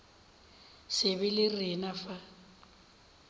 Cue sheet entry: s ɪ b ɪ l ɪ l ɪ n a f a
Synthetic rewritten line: s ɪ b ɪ l ɪ r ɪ n a f a